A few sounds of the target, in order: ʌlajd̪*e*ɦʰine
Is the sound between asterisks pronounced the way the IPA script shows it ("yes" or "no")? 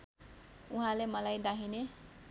no